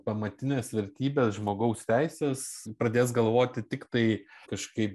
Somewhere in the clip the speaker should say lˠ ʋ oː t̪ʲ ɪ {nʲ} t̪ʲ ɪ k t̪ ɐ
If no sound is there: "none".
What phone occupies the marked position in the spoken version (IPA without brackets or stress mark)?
none